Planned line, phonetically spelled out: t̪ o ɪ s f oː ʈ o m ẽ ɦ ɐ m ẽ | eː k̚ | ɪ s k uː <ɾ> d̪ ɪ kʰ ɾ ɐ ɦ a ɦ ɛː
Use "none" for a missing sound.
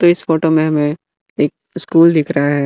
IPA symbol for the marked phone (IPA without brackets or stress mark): l